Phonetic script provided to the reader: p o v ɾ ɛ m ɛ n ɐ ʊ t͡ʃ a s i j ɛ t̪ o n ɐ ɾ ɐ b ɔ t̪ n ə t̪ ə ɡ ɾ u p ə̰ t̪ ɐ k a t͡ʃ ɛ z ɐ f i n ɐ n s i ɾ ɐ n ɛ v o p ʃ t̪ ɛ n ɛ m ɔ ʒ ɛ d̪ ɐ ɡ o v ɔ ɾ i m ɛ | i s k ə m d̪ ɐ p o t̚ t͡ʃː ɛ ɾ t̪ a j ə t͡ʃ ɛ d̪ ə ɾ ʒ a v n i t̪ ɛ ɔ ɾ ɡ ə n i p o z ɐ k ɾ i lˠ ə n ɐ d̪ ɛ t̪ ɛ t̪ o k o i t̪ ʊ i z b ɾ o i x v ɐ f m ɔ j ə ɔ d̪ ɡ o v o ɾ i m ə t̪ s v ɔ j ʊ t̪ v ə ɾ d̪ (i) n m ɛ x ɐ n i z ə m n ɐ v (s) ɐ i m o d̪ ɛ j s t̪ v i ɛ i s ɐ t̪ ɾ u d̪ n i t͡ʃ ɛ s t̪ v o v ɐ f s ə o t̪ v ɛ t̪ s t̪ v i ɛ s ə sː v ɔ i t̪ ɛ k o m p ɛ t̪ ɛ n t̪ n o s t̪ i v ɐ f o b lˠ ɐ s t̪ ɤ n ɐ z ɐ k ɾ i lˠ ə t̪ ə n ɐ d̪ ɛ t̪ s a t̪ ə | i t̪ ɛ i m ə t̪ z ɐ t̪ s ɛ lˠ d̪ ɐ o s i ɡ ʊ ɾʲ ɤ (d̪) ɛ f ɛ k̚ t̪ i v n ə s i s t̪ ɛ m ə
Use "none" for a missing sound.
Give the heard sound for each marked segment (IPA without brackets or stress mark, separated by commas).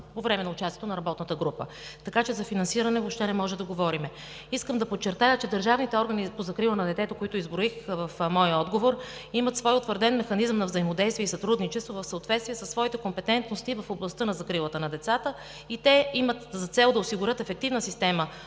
ɛ, z, t̪